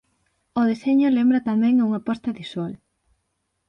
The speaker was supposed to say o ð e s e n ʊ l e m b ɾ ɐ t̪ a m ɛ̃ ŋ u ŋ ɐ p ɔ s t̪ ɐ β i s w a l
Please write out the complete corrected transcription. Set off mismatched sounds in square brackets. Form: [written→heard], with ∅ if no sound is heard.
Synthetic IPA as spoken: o ð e s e [n→ɲ] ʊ l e m b ɾ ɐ t̪ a m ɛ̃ ŋ u ŋ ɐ p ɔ s t̪ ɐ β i s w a l